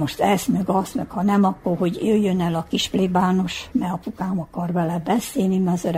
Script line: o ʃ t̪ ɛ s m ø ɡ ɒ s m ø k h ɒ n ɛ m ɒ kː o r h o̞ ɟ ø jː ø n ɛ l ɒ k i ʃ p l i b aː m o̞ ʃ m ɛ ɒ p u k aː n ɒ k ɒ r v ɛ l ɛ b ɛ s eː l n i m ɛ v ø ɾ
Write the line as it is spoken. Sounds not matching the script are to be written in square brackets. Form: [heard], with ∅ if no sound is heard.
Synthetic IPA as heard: o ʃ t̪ ɛ s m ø ɡ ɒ s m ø k h ɒ n ɛ m ɒ kː o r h o̞ ɟ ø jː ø n ɛ l ɒ k i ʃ p l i b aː [n] o̞ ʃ m ɛ ɒ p u k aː [m] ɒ k ɒ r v ɛ l ɛ b ɛ s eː l n i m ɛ [z] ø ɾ